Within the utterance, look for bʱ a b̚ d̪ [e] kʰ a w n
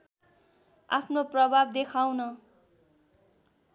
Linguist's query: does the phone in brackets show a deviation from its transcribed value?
no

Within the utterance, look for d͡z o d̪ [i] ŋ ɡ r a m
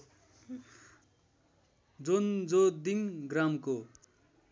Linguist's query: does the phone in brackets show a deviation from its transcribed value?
no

